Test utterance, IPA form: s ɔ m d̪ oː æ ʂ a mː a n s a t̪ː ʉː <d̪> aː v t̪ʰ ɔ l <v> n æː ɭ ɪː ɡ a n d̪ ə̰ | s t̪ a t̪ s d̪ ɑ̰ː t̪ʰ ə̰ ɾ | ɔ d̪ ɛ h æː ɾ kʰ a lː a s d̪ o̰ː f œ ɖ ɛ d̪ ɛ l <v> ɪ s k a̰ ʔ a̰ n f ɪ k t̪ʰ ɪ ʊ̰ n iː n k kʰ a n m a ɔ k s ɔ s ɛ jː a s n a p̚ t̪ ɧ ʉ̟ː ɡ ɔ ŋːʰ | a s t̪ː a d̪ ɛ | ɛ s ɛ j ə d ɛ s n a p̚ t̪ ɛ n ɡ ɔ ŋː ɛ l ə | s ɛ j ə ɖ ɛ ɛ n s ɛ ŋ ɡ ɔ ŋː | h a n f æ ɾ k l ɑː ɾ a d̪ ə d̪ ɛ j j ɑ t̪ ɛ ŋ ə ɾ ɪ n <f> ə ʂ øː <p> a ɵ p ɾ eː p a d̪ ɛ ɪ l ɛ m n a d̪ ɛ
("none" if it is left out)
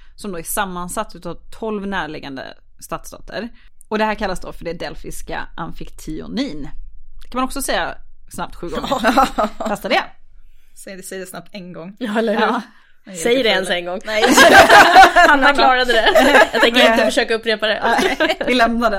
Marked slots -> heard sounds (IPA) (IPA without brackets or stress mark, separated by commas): t̪, v, f, f, k